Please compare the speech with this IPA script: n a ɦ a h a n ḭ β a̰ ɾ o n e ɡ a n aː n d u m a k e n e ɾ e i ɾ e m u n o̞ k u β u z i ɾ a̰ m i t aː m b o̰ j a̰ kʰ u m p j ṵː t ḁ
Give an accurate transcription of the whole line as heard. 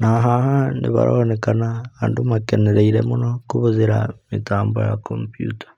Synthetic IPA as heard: n a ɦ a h a n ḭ β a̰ ɾ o n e k a n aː n d u m a k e n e ɾ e i ɾ e m u n o̞ k u β u z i ɾ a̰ m i t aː m b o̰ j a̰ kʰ o m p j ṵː t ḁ